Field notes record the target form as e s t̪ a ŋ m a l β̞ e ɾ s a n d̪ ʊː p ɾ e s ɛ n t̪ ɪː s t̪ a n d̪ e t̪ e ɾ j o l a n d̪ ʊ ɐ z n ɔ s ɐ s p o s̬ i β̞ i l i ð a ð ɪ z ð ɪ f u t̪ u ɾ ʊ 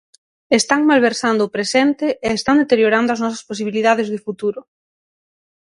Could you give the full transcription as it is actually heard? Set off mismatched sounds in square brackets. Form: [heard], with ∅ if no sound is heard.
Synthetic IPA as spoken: e s t̪ a ŋ m a l β̞ e ɾ s a n d̪ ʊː p ɾ e s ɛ n t̪ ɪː s t̪ a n d̪ e t̪ e ɾ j o [ɾ] a n d̪ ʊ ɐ z n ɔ s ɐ s p o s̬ i β̞ i l i ð a ð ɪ z ð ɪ f u t̪ u ɾ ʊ

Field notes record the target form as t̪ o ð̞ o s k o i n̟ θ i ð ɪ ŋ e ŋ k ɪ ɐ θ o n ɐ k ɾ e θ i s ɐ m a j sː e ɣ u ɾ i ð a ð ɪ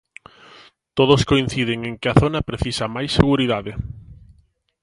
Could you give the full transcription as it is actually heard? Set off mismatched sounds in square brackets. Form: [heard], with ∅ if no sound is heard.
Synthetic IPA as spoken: t̪ o ð̞ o s k o i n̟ θ i ð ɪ ŋ e ŋ k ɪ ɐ θ o n ɐ [p] ɾ e θ i s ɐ m a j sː e ɣ u ɾ i ð a ð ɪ

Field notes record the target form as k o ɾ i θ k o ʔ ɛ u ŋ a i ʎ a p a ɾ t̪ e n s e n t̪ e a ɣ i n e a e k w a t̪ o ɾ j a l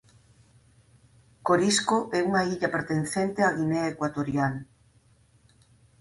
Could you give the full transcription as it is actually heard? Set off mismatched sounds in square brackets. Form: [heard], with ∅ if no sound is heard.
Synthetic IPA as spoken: k o ɾ i [s] k o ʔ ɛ u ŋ a i ʎ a p [e] ɾ t̪ e n [θ] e n t̪ e a ɣ i n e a e k w a t̪ o ɾ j a l

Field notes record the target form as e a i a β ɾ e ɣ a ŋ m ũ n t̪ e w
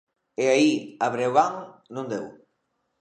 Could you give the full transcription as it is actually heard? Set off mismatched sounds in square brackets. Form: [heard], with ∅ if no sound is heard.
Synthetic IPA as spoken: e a i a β ɾ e [w] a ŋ [n] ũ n [d̪] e w

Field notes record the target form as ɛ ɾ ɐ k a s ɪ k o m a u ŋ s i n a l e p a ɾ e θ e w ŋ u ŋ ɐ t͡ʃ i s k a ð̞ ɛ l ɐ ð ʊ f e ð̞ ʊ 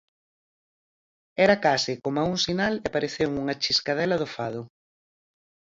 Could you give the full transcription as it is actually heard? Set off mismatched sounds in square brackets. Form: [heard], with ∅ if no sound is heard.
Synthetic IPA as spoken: ɛ ɾ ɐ k a s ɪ k o m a u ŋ s i n a l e p a ɾ e θ e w ŋ u ŋ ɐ t͡ʃ i s k a ð̞ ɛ l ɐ ð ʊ f [a] ð̞ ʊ

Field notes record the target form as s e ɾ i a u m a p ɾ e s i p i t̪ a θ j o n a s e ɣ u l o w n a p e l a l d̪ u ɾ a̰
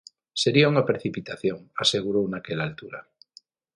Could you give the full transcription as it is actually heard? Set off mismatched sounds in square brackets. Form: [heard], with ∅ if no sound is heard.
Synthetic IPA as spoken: s e ɾ i a u [ŋ] a p ɾ e [θ] i p i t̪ a θ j o [ŋ] a s e ɣ u [ɾ] o w n a [k] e l a l [t̪] u ɾ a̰

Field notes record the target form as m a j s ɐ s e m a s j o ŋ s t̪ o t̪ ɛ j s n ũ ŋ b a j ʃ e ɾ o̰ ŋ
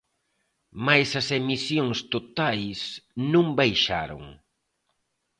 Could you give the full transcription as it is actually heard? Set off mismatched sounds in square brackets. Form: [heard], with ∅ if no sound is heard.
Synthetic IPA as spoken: m a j s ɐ s e m [i] s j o ŋ s t̪ o t̪ [a] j s n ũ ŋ b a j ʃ [a] ɾ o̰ ŋ

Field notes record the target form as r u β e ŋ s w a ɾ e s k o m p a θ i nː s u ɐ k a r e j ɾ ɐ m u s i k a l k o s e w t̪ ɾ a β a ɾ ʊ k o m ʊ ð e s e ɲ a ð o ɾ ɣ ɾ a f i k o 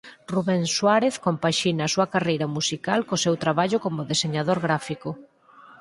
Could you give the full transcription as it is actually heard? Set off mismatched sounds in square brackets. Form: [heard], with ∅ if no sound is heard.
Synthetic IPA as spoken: r u β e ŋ s w a ɾ e [θ] k o m p a [ʃ] i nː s u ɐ k a r e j ɾ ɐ m u s i k a l k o s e w t̪ ɾ a β a [ʎ] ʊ k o m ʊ ð e s e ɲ a ð o ɾ ɣ ɾ a f i k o

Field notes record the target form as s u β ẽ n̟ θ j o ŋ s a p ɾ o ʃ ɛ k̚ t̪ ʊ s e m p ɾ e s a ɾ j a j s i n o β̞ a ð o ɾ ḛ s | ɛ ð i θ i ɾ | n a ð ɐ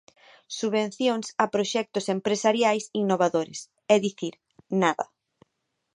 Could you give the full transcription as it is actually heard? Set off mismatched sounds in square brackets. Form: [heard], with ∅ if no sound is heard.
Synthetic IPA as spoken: s u β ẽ n̟ θ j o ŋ s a p ɾ o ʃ ɛ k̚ t̪ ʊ s e m p ɾ e s a ɾ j a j s i n o β̞ a ð o ɾ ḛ s | ɛ ð i θ i ɾ | n a ð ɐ

